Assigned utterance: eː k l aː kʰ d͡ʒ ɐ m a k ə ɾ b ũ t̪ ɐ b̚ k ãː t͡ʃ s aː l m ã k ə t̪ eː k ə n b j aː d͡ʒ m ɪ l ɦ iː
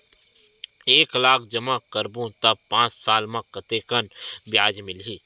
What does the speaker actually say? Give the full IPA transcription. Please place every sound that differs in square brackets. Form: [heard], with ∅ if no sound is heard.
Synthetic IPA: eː k l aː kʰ d͡ʒ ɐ m a k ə ɾ b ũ t̪ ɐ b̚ [p] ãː t͡ʃ s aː l m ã k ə t̪ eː k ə n b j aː d͡ʒ m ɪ l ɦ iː